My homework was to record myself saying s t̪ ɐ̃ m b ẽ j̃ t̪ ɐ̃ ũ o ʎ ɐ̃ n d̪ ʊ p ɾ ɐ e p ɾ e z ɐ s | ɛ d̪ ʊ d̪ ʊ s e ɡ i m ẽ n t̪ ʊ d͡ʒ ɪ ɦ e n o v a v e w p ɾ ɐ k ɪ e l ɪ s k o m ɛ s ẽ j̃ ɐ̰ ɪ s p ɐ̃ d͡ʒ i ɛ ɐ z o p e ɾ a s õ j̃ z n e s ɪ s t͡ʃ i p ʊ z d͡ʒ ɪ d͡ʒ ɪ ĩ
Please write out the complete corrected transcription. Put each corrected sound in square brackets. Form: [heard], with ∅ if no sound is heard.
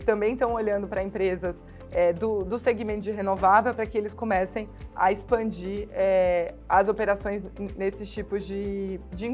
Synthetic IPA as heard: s t̪ ɐ̃ m b ẽ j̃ t̪ ɐ̃ [w̃] o ʎ ɐ̃ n d̪ ʊ p ɾ ɐ [ẽ] p ɾ e z ɐ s | ɛ d̪ ʊ d̪ ʊ s e ɡ i m ẽ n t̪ ʊ d͡ʒ ɪ ɦ e n o v a v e w p ɾ ɐ k ɪ e l ɪ s k o m ɛ s ẽ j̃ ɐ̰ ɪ s p ɐ̃ d͡ʒ i ɛ ɐ z o p e ɾ a s õ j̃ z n e s ɪ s t͡ʃ i p ʊ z d͡ʒ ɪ d͡ʒ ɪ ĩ

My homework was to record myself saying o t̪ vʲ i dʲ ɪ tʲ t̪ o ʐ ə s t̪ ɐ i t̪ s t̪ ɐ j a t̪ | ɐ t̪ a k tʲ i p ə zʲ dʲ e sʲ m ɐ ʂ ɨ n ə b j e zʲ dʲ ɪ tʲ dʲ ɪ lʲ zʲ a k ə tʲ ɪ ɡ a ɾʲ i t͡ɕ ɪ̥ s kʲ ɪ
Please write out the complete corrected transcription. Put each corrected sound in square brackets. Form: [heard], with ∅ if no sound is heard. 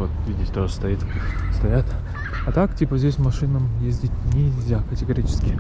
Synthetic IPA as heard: o t̪ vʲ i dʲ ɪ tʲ t̪ o ʐ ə s t̪ ɐ i t̪ s t̪ ɐ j a t̪ | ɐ t̪ a k tʲ i p ə zʲ dʲ e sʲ m ɐ ʂ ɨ n ə [m] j e zʲ dʲ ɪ tʲ [nʲ] ɪ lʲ zʲ a k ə tʲ ɪ ɡ [ɐ] ɾʲ i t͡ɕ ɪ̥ s kʲ ɪ

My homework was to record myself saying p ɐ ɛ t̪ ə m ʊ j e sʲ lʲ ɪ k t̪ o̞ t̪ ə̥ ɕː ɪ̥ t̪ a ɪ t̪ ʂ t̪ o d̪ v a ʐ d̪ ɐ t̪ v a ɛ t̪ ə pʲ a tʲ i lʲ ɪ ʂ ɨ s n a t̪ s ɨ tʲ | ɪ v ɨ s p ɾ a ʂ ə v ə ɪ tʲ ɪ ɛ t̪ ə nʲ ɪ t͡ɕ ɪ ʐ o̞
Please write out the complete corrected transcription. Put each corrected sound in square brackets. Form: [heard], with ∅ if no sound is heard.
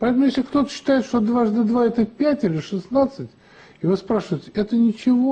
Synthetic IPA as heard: p ɐ ɛ t̪ ə m ʊ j e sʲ lʲ ɪ k t̪ o̞ t̪ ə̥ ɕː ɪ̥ t̪ a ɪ t̪ ʂ t̪ o d̪ v a ʐ d̪ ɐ [d̪] v a ɛ t̪ ə pʲ [æ] tʲ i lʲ ɪ ʂ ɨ s n a t̪ s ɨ tʲ | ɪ v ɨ s p ɾ a ʂ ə v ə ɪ tʲ ɪ ɛ t̪ ə nʲ ɪ t͡ɕ ɪ [v] o̞

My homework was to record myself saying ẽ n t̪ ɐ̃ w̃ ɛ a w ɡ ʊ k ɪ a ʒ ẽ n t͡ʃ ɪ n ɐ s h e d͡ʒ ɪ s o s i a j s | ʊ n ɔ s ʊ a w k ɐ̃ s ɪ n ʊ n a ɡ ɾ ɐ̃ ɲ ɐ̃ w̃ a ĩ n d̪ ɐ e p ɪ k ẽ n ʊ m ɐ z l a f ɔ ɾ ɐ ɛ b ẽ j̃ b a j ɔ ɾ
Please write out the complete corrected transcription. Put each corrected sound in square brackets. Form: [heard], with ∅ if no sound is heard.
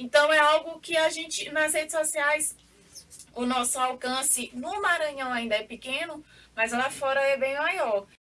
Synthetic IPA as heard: ẽ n t̪ ɐ̃ w̃ ɛ a w ɡ ʊ k ɪ a ʒ ẽ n t͡ʃ ɪ n ɐ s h e d͡ʒ ɪ s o s i a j s | ʊ n ɔ s ʊ a w k ɐ̃ s ɪ n ʊ [m] a [∅] ɾ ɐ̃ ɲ ɐ̃ w̃ a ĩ n d̪ ɐ [ɛ] p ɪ k ẽ n ʊ m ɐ z l a f ɔ ɾ ɐ ɛ b ẽ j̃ [m] a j ɔ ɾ

